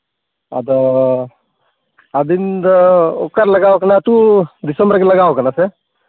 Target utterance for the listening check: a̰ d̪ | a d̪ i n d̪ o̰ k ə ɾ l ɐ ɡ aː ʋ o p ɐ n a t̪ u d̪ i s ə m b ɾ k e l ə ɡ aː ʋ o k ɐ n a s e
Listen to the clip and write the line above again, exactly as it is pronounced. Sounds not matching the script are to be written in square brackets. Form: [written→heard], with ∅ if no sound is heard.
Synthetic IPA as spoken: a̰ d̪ | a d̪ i n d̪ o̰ k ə ɾ l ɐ ɡ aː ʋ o [p→k] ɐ n a t̪ u d̪ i s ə m b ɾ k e l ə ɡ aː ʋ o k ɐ n a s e